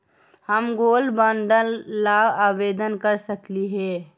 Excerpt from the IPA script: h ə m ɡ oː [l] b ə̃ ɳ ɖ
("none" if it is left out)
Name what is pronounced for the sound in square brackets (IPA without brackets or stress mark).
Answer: l